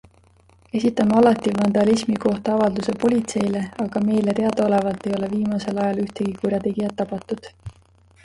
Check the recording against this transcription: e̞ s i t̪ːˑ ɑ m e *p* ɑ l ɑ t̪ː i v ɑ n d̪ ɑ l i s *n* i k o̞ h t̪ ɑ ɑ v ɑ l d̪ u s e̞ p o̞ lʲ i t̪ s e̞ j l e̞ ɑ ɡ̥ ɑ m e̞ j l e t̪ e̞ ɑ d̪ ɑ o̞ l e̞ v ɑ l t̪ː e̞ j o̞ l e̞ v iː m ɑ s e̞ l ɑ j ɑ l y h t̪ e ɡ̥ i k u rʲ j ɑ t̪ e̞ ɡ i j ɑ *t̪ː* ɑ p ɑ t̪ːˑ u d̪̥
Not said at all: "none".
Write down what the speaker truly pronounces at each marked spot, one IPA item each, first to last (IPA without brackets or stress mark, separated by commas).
none, m, t̪ː